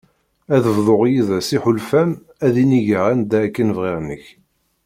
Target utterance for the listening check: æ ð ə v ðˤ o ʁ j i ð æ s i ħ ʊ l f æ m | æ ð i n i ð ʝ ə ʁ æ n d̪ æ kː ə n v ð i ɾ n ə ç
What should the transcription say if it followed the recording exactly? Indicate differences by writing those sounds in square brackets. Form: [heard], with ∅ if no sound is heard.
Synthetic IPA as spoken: æ ð ə v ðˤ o ʁ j i ð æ s i ħ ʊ l f æ m | æ ð i n i [∅] ʝ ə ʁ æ n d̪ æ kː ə n v [ʁ] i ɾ n ə ç